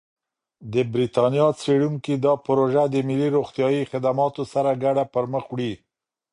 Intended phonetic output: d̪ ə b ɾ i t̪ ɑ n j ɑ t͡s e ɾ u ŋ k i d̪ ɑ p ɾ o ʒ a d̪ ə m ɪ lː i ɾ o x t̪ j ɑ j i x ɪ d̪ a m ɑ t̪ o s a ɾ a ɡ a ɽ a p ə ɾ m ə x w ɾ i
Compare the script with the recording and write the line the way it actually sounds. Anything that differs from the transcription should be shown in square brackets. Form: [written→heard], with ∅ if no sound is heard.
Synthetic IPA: d̪ ə b ɾ i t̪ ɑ n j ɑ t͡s e [ɾ→ɽ] u ŋ k i d̪ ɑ p ɾ o ʒ a d̪ ə m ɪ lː i ɾ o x t̪ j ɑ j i x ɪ d̪ a m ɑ t̪ o s a ɾ a ɡ a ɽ a p ə ɾ m ə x w [ɾ→ɽ] i